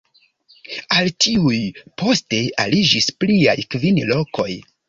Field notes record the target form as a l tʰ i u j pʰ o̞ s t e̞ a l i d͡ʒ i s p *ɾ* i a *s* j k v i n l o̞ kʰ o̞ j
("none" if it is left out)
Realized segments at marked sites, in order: l, none

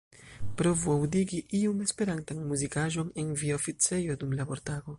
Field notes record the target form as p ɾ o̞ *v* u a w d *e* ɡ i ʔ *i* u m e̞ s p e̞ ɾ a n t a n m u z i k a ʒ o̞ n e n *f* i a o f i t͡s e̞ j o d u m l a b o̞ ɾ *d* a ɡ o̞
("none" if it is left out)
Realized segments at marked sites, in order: v, i, i, v, t

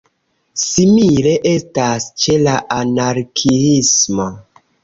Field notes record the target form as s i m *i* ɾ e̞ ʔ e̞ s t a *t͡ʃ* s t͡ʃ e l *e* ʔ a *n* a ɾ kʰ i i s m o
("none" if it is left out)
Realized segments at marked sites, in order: i, none, a, n

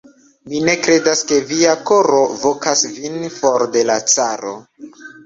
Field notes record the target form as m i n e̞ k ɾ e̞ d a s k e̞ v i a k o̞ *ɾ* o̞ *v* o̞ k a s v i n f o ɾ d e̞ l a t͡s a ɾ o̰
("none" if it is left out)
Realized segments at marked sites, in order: ɾ, v

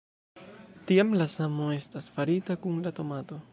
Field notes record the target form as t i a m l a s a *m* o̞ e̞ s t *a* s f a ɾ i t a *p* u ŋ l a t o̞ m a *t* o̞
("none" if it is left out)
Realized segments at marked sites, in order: m, a, k, t

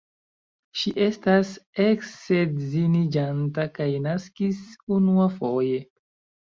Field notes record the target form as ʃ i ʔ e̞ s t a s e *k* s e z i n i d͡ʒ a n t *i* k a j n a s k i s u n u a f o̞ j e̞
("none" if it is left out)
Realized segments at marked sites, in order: k, a

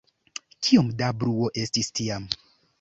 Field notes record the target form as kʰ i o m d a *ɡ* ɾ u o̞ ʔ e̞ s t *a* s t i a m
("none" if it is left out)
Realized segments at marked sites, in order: b, i

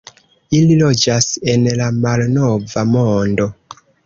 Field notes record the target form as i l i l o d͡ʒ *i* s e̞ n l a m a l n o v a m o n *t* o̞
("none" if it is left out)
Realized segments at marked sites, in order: a, d

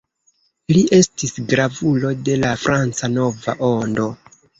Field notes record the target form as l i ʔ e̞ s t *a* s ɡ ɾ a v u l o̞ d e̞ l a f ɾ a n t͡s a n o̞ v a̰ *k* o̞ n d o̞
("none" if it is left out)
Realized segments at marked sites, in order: i, ʔ

